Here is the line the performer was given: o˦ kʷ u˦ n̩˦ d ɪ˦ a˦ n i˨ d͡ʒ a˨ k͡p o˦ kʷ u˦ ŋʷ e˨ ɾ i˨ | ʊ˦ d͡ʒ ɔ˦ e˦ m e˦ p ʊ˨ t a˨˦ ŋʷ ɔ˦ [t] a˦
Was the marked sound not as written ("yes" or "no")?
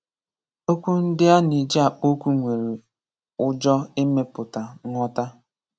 no